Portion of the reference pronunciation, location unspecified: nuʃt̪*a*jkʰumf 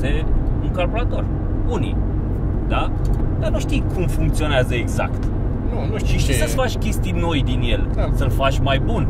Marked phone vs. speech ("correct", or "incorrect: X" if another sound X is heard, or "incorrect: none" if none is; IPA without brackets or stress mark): incorrect: i